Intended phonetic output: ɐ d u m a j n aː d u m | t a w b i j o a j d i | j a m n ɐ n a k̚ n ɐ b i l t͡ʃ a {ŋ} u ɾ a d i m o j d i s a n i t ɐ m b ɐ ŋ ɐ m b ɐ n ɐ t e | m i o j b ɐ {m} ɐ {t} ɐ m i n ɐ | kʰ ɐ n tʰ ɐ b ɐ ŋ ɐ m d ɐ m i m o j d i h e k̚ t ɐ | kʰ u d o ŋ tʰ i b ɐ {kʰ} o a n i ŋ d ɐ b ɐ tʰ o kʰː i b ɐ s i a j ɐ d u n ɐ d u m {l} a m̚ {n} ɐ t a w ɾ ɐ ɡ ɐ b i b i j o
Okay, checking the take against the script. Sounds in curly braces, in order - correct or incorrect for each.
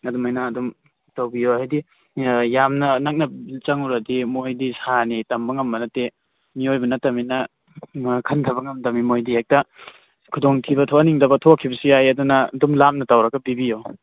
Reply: correct, incorrect: n, correct, incorrect: tʰ, correct, correct

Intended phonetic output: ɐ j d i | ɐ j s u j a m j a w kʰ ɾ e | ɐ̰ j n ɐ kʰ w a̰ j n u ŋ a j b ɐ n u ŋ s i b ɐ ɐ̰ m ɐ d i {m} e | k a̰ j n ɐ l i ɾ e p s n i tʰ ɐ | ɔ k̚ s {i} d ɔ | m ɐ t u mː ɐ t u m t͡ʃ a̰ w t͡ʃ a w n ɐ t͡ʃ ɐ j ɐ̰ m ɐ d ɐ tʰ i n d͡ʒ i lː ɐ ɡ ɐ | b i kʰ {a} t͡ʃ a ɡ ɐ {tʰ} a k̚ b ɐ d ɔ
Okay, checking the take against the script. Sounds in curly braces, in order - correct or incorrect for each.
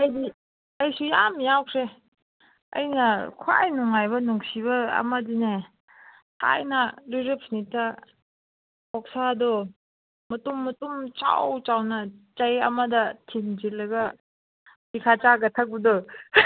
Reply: incorrect: n, incorrect: a, correct, correct

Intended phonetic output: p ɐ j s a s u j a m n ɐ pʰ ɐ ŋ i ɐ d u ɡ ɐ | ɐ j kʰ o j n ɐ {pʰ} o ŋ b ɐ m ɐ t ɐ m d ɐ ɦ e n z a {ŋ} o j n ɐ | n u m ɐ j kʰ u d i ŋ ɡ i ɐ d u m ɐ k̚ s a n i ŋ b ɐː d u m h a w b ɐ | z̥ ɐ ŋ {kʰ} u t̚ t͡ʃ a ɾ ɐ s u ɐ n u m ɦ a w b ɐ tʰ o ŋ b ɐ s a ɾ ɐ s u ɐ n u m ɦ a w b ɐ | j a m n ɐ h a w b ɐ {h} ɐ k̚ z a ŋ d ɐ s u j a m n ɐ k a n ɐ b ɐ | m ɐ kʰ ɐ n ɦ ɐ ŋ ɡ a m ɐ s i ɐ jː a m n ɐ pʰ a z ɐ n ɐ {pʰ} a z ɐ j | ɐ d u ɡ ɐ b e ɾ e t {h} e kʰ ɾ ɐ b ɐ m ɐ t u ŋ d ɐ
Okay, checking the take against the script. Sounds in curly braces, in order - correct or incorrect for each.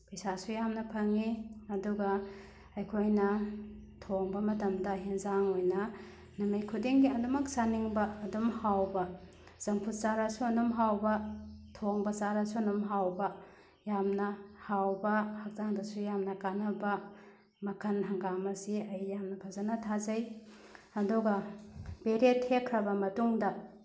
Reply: incorrect: tʰ, correct, incorrect: pʰ, correct, incorrect: tʰ, correct

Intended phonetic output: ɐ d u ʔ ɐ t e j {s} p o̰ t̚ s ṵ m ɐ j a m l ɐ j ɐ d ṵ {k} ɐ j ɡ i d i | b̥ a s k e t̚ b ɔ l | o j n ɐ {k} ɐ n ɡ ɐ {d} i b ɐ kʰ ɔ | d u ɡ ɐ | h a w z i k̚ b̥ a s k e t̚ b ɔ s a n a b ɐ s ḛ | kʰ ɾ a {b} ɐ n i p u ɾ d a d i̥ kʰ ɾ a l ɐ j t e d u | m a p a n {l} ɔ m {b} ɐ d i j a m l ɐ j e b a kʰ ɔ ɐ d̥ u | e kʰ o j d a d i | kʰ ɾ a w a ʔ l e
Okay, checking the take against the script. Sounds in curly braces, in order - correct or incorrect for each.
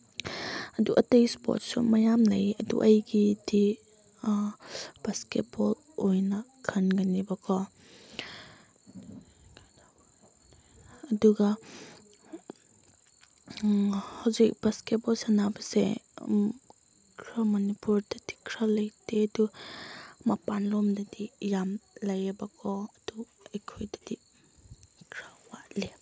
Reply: correct, incorrect: ʔ, incorrect: kʰ, incorrect: n, incorrect: m, correct, incorrect: d

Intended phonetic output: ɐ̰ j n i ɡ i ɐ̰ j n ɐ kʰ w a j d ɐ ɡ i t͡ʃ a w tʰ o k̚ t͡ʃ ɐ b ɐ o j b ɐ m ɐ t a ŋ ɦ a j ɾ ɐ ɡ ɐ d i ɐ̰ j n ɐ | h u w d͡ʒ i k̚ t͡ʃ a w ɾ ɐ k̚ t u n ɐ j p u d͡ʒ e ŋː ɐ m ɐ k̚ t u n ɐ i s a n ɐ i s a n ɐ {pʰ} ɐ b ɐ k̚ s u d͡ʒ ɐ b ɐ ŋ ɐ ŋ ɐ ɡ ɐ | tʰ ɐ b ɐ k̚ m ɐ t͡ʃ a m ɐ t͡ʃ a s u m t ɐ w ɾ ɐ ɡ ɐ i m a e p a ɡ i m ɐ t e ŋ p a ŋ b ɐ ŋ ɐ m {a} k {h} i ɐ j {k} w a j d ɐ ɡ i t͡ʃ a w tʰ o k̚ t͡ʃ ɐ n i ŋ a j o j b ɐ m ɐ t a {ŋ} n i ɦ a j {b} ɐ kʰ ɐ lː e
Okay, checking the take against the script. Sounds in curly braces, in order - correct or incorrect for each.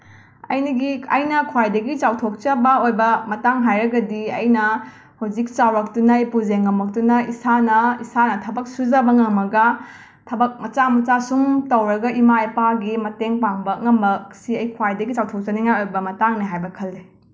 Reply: incorrect: tʰ, incorrect: ɐ, incorrect: s, incorrect: kʰ, correct, correct

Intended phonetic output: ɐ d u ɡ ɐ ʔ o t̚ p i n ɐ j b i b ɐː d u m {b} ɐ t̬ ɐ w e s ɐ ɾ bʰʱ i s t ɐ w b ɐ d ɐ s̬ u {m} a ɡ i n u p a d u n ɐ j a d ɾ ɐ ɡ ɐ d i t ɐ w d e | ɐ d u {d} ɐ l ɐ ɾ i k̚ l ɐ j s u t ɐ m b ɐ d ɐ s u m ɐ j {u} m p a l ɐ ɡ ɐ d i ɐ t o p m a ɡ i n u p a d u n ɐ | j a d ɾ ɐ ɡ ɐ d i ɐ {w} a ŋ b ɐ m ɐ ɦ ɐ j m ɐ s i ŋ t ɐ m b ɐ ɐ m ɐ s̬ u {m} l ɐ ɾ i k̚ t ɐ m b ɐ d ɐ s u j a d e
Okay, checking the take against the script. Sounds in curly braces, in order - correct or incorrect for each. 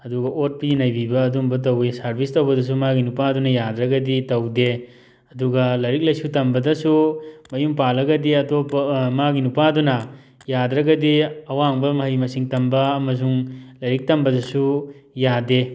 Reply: correct, correct, incorrect: ɡ, correct, correct, incorrect: ŋ

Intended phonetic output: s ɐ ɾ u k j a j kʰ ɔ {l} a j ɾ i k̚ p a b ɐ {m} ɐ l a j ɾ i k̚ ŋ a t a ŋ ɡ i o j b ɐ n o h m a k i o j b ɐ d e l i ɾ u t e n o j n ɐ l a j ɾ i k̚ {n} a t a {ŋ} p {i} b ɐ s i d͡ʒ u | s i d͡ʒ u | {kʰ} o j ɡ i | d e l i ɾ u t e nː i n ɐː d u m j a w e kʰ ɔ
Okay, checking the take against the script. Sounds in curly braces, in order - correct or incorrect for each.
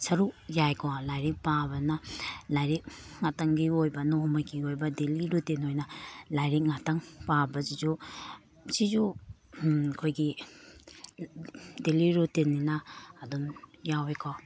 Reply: correct, incorrect: n, incorrect: ŋ, correct, incorrect: a, correct

